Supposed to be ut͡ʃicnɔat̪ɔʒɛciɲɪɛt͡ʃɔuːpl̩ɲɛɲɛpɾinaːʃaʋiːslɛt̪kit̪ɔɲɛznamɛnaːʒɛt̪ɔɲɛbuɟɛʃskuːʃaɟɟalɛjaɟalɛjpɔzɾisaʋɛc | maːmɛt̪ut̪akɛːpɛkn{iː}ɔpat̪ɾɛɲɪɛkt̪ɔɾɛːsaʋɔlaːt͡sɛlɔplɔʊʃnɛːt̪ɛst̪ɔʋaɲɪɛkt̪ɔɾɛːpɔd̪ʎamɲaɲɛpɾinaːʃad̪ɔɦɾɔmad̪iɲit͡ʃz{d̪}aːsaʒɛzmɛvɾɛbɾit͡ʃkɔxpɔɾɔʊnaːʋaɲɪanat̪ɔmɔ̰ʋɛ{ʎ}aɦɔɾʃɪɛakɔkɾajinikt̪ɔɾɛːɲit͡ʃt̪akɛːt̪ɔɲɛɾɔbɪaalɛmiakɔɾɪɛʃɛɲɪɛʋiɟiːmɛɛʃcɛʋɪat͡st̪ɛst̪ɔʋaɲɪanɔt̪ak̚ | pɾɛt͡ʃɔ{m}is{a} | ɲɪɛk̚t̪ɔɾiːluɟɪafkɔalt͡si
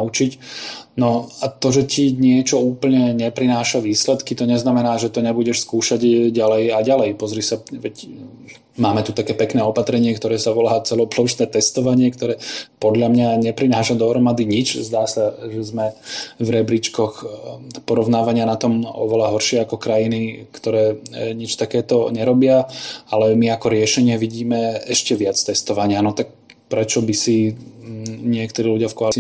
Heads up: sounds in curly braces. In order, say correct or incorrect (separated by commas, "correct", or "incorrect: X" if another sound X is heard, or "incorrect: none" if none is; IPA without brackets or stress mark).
incorrect: ɛː, correct, incorrect: l, incorrect: b, incorrect: i